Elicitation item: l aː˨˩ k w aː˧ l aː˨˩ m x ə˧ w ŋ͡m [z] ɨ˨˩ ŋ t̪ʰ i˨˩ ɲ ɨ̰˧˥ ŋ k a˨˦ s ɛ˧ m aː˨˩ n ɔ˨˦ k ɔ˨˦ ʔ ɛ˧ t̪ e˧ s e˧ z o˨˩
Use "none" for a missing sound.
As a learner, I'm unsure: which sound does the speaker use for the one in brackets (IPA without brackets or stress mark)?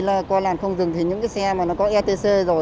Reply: z